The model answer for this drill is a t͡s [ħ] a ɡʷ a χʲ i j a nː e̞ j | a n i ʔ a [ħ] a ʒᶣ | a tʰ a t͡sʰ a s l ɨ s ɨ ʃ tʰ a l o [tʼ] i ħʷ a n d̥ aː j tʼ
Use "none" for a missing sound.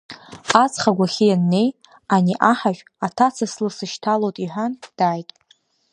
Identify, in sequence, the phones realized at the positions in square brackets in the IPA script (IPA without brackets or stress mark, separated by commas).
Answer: χ, ħ, tʼ